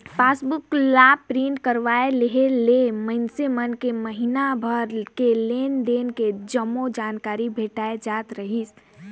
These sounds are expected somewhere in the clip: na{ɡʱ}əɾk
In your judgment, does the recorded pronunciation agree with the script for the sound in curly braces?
no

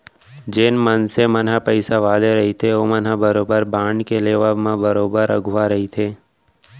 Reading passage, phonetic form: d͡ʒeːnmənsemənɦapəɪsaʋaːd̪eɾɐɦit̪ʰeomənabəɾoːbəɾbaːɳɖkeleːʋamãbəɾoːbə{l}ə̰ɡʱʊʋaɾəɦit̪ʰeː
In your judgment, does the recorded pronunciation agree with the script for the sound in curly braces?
no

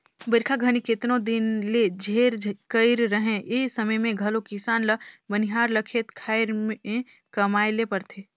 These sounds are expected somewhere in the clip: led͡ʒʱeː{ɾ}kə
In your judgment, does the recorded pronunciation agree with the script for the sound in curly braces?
yes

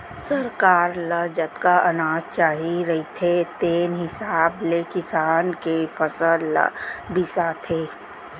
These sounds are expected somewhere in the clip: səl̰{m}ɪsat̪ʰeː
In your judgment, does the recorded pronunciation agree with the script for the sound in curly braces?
no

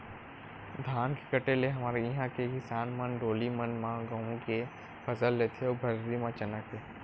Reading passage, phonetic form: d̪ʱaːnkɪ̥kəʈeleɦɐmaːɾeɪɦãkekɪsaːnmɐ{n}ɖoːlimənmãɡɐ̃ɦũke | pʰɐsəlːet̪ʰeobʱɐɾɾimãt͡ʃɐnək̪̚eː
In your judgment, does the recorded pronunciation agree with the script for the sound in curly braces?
yes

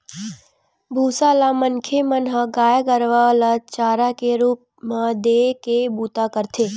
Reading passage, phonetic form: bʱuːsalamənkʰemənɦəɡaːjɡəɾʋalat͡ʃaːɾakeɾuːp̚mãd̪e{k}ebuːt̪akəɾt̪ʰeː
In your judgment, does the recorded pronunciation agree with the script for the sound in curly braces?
yes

